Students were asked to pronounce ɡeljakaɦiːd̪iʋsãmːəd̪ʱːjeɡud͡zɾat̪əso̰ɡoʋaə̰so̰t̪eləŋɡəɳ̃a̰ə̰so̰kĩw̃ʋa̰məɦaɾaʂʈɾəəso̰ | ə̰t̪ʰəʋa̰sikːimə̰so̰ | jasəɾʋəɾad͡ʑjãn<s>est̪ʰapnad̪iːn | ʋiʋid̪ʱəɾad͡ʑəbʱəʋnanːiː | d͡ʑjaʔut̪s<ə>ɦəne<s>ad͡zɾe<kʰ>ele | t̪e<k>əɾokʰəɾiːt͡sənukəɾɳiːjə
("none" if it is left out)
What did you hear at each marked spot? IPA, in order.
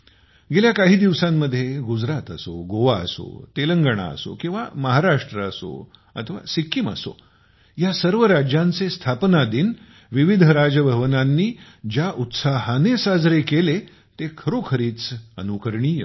t͡s, a, s, k, kʰ

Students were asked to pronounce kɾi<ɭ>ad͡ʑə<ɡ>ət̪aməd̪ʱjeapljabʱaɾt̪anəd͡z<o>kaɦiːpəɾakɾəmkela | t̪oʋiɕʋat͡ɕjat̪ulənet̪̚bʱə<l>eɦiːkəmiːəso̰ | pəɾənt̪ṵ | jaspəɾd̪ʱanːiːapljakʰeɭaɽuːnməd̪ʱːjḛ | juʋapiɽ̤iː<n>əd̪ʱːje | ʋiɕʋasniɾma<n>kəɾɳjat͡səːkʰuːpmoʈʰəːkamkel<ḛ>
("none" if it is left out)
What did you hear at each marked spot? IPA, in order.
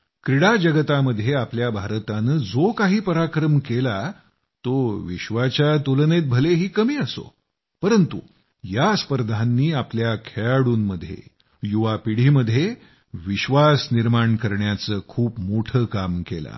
ɽ, ɡ, o, l, m, ɳ, a̰

